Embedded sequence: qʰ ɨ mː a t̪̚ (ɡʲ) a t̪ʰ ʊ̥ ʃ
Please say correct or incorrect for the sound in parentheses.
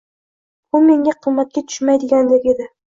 incorrect: kʲ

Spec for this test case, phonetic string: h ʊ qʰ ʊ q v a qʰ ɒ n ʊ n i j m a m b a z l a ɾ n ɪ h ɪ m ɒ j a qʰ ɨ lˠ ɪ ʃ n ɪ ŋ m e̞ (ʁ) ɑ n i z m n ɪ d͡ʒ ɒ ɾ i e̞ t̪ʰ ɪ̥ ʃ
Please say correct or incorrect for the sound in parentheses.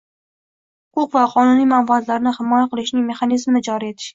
incorrect: χ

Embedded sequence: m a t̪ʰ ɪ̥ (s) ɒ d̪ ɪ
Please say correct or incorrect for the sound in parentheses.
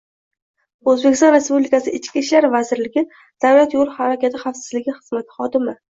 incorrect: χ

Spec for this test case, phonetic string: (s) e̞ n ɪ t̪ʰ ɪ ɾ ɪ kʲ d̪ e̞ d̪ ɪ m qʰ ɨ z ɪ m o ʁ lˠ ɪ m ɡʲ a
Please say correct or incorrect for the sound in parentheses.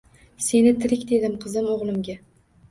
correct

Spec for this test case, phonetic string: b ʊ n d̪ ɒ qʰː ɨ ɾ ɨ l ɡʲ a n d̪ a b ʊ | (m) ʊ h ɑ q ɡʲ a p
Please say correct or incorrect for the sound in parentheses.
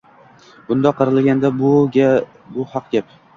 incorrect: b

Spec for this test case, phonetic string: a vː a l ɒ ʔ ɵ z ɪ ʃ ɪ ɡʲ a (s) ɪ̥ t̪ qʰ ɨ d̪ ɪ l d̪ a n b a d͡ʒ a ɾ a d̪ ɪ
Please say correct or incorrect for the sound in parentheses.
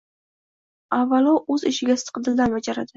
correct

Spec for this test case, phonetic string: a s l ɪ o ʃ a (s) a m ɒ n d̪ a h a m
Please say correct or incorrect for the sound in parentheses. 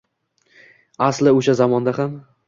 incorrect: z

